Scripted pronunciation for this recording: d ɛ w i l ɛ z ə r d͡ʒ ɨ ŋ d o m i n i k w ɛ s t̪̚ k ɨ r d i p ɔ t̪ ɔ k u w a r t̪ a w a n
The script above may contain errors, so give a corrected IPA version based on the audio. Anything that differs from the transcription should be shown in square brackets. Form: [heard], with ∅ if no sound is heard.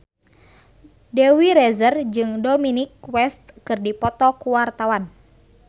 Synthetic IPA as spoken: d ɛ w i [ɾ] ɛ z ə r d͡ʒ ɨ ŋ d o m i n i k w ɛ s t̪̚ k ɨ r d i p ɔ t̪ ɔ k u w a r t̪ a w a n